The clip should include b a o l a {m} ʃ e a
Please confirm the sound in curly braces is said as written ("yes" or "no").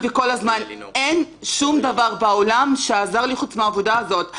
yes